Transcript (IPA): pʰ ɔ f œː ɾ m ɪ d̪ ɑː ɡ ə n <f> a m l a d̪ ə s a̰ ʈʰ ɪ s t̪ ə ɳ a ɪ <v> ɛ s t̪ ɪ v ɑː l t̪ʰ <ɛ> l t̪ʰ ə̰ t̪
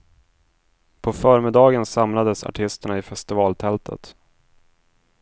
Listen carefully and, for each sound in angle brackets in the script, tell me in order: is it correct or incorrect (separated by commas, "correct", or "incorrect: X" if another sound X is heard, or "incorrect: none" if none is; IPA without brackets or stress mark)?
incorrect: s, incorrect: f, correct